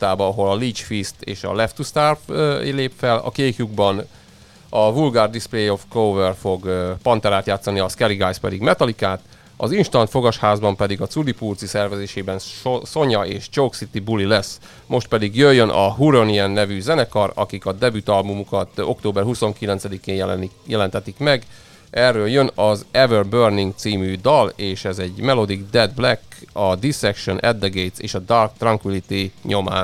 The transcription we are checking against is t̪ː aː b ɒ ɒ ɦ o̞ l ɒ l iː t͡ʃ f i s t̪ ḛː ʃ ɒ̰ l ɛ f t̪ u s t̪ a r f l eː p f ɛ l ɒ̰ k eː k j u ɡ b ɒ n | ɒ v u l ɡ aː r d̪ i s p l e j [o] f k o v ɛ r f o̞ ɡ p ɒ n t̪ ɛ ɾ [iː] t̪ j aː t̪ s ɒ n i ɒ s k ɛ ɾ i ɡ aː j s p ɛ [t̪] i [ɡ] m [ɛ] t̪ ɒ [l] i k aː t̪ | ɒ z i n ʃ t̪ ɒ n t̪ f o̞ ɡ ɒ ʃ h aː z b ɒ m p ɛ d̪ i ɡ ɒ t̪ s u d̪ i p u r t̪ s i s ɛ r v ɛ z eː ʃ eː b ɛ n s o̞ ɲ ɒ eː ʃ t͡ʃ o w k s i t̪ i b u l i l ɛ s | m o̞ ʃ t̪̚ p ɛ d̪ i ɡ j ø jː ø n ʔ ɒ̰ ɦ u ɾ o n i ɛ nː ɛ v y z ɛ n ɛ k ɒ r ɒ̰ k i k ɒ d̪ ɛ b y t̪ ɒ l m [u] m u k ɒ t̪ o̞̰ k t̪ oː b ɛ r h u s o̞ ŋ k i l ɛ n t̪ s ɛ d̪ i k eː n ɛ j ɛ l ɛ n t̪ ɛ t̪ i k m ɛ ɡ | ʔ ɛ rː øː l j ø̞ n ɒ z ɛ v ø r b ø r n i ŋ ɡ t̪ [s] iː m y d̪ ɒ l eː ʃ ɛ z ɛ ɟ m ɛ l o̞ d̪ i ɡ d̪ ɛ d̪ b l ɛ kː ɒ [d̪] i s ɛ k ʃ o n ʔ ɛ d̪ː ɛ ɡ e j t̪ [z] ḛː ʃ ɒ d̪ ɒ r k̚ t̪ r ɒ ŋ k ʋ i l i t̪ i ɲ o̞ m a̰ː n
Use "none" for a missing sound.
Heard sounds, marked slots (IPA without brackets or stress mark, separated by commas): o, aː, d̪, ɡ, ɛ, l, u, s, d̪, s